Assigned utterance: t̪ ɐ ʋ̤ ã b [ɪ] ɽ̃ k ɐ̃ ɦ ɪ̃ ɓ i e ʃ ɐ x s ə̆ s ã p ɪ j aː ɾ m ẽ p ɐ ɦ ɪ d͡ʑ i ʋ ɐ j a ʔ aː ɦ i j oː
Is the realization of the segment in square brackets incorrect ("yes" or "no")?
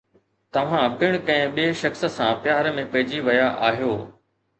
no